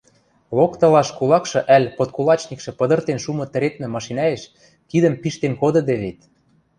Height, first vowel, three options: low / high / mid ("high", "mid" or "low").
mid